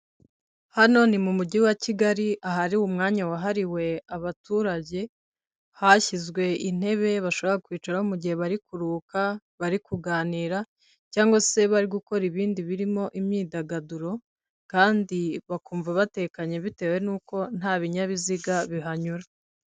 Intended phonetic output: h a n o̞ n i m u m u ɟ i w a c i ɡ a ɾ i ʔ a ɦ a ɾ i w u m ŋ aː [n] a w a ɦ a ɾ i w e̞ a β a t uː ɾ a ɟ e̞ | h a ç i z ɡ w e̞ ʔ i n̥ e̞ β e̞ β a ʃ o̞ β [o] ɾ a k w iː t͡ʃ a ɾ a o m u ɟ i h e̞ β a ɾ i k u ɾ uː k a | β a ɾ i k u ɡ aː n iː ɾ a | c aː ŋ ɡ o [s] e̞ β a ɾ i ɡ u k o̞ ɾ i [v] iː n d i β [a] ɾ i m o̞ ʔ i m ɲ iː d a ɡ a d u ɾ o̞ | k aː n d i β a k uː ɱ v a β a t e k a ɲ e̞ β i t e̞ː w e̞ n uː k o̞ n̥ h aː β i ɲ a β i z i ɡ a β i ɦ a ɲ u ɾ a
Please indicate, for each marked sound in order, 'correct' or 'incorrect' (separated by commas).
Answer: incorrect, correct, correct, incorrect, incorrect